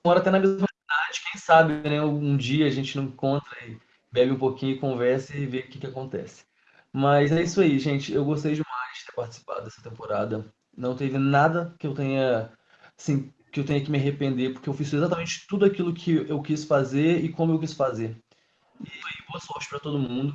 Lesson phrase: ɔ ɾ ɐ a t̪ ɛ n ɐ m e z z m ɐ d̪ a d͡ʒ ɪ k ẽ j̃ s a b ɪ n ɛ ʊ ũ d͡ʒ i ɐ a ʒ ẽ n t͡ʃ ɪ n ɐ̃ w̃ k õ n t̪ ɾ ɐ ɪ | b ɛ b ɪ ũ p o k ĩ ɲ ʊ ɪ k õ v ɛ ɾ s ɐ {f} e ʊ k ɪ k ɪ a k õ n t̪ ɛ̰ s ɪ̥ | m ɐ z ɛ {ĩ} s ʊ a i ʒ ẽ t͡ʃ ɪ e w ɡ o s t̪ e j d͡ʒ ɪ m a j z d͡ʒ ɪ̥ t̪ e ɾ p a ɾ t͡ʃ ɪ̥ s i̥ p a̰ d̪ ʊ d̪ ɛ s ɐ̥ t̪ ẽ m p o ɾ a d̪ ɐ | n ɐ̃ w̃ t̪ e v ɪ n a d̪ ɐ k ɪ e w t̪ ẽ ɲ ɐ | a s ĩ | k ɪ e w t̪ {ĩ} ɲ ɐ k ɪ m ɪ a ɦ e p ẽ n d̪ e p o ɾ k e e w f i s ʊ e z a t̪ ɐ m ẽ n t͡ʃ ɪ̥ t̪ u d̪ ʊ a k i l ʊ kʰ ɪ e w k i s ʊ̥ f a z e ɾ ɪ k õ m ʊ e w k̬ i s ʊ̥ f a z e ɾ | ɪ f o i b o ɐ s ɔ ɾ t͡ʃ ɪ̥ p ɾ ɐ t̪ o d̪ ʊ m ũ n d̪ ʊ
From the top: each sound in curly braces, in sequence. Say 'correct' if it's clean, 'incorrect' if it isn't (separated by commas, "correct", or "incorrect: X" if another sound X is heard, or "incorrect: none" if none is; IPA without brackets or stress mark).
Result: incorrect: v, incorrect: i, incorrect: ẽ